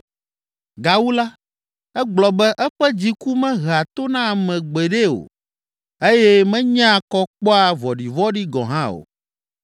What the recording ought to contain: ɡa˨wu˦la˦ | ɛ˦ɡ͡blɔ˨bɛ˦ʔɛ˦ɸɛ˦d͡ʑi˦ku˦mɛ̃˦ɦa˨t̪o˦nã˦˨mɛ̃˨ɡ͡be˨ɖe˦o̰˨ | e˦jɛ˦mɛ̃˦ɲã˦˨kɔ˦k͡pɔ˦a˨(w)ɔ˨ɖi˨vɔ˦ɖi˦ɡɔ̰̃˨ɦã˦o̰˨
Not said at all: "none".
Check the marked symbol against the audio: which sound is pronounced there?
v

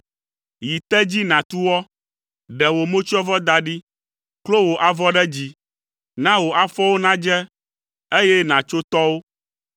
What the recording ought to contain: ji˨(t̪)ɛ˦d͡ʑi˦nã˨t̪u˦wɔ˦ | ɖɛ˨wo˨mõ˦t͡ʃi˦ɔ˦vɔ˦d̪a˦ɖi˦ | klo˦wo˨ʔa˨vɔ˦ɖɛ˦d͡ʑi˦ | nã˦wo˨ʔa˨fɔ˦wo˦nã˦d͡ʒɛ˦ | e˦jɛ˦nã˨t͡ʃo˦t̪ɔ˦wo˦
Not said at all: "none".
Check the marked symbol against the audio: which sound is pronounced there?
t̪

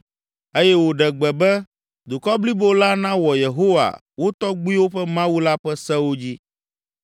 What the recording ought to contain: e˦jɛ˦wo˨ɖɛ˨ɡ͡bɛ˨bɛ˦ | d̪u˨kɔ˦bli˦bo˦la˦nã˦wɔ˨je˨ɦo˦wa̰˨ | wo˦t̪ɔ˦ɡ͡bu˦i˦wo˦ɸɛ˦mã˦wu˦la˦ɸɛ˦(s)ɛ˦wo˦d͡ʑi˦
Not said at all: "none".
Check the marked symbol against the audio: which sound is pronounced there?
s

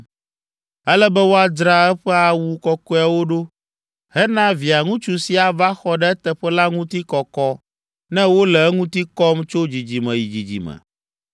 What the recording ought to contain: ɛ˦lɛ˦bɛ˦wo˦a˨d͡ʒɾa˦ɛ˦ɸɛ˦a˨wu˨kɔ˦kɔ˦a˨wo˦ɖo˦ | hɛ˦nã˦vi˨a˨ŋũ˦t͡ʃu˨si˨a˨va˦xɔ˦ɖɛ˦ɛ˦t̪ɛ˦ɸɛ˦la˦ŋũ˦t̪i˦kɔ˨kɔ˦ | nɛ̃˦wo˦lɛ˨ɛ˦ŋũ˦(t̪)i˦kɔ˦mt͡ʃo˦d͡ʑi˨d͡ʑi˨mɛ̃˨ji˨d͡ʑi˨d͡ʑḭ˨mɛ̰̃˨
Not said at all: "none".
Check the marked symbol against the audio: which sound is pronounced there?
t̪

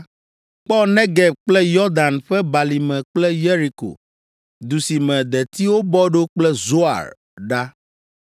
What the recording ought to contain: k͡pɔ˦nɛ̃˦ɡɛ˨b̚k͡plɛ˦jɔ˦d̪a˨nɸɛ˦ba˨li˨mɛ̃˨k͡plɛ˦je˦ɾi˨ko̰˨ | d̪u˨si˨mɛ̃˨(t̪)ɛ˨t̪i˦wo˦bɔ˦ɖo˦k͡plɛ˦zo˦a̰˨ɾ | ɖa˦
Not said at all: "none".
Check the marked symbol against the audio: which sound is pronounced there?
d̪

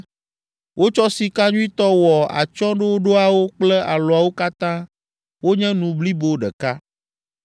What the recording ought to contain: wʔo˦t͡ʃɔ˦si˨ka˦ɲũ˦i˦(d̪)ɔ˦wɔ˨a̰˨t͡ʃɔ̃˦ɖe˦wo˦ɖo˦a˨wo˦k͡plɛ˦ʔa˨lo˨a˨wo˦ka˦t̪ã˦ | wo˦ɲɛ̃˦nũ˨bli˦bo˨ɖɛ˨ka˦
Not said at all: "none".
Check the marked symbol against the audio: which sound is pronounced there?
t̪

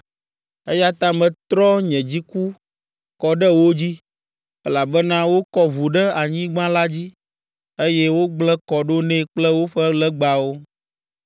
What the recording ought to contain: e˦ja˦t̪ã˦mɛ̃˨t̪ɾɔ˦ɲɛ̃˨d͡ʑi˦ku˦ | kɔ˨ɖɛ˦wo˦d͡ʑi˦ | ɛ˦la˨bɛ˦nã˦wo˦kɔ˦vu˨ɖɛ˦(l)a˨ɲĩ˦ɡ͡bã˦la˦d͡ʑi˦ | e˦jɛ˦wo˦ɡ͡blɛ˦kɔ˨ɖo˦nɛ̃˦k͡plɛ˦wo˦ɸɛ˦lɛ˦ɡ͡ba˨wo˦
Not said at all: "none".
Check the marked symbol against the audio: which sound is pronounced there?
none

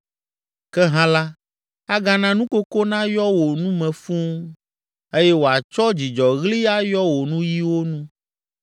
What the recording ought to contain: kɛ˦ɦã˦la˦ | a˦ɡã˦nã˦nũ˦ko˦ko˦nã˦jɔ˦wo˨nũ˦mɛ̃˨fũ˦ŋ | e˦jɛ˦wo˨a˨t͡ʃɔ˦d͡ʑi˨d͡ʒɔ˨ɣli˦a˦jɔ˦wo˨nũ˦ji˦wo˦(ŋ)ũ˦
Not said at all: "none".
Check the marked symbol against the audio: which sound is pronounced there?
n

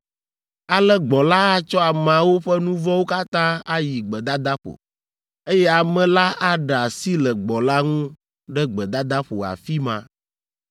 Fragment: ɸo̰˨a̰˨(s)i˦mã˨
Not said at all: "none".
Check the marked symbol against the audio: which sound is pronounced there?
f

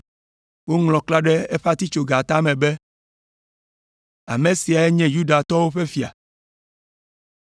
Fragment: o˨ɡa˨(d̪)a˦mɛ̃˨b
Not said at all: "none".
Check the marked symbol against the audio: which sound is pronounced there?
t̪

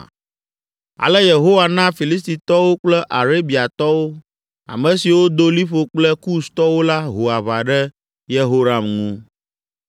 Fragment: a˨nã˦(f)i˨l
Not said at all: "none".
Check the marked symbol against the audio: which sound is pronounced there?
f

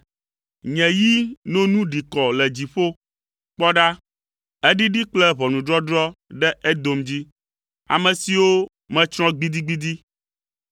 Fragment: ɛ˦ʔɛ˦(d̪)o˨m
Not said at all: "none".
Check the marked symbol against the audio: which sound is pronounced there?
d̪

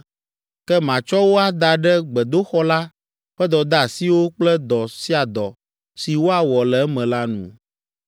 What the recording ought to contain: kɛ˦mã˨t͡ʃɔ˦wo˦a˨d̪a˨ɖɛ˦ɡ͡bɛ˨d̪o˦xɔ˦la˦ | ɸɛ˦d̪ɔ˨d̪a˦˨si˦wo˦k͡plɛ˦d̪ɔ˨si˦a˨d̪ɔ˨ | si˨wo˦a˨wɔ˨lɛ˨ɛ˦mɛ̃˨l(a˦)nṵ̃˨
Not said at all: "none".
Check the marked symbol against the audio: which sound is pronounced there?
a˦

